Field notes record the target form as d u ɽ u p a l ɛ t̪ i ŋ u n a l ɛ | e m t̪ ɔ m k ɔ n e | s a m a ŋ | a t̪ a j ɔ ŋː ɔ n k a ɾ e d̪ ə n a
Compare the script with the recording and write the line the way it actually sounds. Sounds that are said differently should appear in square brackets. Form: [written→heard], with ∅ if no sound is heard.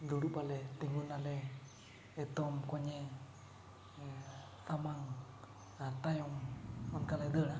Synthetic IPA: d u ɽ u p a l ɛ t̪ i ŋ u n a l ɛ | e [m→∅] t̪ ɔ m k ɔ [n→ɲ] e | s a m a ŋ | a t̪ a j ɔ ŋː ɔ n k a [ɾ→l] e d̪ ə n a